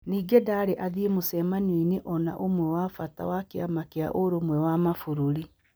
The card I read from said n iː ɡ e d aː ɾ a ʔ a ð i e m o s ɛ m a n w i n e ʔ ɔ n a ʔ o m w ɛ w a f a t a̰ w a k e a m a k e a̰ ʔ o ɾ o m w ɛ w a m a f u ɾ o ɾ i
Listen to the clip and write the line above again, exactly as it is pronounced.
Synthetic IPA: n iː ɡ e d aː ɾ e ʔ a ð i e m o s ɛ m a n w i n e ʔ ɔ n a ʔ o m w ɛ w a f a t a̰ w a k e a m a k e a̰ ʔ o ɾ o m w ɛ w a m a f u ɾ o ɾ i